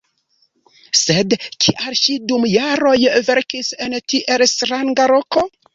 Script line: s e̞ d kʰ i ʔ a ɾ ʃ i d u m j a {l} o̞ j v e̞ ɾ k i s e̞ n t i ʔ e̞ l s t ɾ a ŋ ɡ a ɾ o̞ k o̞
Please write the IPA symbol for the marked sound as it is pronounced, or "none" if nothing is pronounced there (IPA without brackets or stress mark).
ɾ